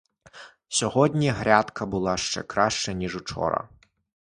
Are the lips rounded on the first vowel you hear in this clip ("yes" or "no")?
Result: yes